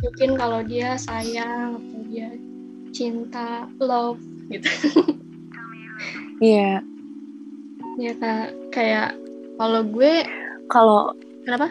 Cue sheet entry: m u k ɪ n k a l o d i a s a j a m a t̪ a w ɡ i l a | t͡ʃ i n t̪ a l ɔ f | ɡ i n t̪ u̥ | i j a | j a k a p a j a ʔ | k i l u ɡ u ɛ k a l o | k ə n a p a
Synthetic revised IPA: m u k ɪ n k a l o d i a s a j a ŋ a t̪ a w d i a | t͡ʃ i n t̪ a l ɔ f | ɡ i t̪ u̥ | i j a | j a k a k a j a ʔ | k a l o ɡ u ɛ k a l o | k ə n a p a